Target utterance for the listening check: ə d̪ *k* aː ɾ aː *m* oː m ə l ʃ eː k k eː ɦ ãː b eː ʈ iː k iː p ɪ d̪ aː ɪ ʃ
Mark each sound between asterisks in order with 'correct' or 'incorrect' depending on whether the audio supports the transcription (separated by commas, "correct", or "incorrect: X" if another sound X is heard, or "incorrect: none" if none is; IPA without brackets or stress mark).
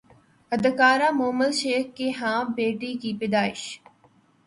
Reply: correct, correct